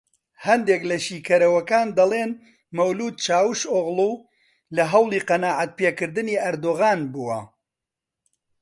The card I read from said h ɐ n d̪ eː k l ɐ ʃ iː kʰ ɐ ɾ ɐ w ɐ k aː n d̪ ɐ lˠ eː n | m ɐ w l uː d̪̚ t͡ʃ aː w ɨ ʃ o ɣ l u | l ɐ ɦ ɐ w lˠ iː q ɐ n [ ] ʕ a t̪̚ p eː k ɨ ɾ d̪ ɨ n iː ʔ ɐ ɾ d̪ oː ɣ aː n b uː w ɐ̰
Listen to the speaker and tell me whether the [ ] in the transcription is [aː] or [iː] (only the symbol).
aː